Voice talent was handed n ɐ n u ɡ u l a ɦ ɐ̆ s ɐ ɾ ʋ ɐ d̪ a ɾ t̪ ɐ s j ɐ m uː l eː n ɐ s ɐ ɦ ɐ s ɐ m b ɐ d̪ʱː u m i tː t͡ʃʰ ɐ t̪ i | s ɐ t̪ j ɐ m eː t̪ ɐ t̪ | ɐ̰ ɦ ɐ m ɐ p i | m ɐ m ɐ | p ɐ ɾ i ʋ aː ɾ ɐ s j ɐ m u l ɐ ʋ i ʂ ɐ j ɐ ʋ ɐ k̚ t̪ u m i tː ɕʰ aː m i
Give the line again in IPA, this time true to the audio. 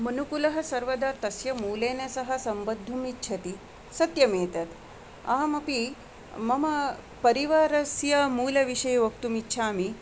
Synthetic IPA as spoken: m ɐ n u k u l ɐ ɦ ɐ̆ s ɐ ɾ ʋ ɐ d̪ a ɾ t̪ ɐ s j ɐ m uː l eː n ɐ s ɐ ɦ ɐ s ɐ m b ɐ d̪ʱː u m i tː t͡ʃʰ ɐ t̪ i | s ɐ t̪ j ɐ m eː t̪ ɐ t̪ | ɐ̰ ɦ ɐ m ɐ p i | m ɐ m ɐ | p ɐ ɾ i ʋ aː ɾ ɐ s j ɐ m uː l ɐ ʋ i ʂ ɐ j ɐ ʋ ɐ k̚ t̪ u m i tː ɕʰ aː m i

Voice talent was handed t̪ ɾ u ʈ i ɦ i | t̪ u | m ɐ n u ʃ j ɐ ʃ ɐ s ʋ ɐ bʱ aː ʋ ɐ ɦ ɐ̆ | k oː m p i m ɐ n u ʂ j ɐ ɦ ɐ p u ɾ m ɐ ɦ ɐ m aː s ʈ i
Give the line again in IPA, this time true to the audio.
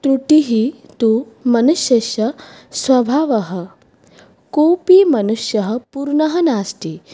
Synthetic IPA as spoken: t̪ ɾ u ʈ i ɦ i | t̪ u | m ɐ n u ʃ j ɐ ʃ ɐ s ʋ ɐ bʱ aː ʋ ɐ ɦ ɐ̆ | k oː p i m ɐ n u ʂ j ɐ ɦ ɐ p u ɾ ɳ ɐ ɦ ɐ n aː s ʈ i

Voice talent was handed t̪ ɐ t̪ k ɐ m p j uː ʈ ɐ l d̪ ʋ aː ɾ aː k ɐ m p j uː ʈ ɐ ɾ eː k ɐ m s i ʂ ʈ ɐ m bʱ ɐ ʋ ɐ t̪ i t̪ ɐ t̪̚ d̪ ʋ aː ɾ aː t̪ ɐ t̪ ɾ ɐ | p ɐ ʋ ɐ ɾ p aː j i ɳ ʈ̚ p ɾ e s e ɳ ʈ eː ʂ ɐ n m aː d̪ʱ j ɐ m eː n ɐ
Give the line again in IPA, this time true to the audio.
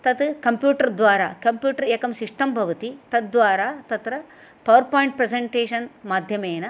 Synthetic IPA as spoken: t̪ ɐ t̪ k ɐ m p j uː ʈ ɐ ɾ d̪ ʋ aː ɾ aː k ɐ m p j uː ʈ ɐ ɾ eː k ɐ m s i ʂ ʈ ɐ m bʱ ɐ ʋ ɐ t̪ i t̪ ɐ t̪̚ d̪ ʋ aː ɾ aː t̪ ɐ t̪ ɾ ɐ | p ɐ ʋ ɐ ɾ p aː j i ɳ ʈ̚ p ɾ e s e ɳ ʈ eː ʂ ɐ n m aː d̪ʱ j ɐ m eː n ɐ

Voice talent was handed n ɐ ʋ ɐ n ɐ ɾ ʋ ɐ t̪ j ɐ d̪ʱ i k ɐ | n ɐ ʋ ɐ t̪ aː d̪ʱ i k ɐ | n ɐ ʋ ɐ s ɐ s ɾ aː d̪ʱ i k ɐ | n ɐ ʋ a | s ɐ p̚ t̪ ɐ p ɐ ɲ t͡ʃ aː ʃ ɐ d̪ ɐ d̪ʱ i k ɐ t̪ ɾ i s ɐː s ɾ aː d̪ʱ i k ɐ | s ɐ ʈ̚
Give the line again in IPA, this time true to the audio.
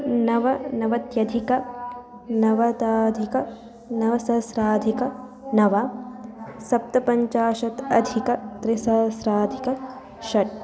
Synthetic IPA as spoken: n ɐ ʋ ɐ n ɐ ʋ ɐ t̪ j ɐ d̪ʱ i k ɐ | n ɐ ʋ ɐ t̪ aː d̪ʱ i k ɐ | n ɐ ʋ ɐ s ɐ s ɾ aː d̪ʱ i k ɐ | n ɐ ʋ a | s ɐ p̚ t̪ ɐ p ɐ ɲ t͡ʃ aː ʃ ɐ t̪ ɐ d̪ʱ i k ɐ t̪ ɾ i s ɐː s ɾ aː d̪ʱ i k ɐ | ʃ ɐ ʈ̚

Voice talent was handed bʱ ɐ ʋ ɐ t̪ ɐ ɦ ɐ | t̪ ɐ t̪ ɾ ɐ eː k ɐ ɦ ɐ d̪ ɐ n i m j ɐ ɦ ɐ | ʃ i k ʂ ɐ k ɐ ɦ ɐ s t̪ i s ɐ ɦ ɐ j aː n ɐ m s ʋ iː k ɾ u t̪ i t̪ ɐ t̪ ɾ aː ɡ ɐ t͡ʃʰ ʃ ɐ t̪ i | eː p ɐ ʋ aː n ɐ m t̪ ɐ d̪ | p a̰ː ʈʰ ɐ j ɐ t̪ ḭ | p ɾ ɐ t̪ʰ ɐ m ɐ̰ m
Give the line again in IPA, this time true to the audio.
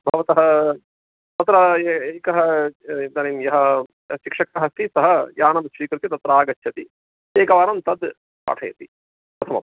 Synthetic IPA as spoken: bʱ ɐ ʋ ɐ t̪ ɐ ɦ ɐ | t̪ ɐ t̪ ɾ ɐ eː k ɐ ɦ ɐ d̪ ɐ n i m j ɐ ɦ ɐ | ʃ i k ʂ ɐ k ɐ ɦ ɐ s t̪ i s ɐ ɦ ɐ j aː n ɐ m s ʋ iː k ɾ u t̪ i t̪ ɐ t̪ ɾ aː ɡ ɐ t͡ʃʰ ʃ ɐ t̪ i | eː k ɐ ʋ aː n ɐ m t̪ ɐ d̪ | p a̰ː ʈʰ ɐ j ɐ t̪ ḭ | p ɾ ɐ t̪ʰ ɐ m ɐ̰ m

